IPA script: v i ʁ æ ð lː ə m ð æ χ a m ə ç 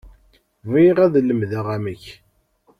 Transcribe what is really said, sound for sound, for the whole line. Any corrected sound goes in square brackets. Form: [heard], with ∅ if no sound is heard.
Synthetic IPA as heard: v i ʁ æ ð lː ə m ð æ [ʁ] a m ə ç